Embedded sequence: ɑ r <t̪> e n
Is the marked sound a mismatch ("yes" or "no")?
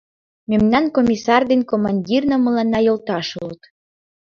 yes